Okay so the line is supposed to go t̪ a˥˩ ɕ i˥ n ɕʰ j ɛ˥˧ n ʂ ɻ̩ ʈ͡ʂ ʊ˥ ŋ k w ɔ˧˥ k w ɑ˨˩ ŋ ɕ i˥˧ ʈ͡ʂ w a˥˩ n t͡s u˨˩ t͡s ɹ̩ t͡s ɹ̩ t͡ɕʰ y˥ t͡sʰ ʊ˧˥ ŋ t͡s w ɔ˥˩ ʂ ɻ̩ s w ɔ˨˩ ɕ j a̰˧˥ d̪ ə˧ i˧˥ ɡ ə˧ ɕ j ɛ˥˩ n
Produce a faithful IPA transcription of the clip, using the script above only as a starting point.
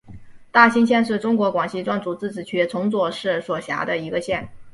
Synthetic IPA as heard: t̪ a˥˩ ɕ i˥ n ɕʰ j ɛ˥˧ n ʂ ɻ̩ ʈ͡ʂ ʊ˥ ŋ k w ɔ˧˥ k w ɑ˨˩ ŋ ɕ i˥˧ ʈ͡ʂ w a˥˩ n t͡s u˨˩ t͡s ɹ̩ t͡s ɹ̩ t͡ɕʰ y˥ t͡sʰ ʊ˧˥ ŋ t͡s w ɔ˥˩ ʂ ɻ̩ s w ɔ˨˩ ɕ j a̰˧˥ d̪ ə˧ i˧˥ ɡ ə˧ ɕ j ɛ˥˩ n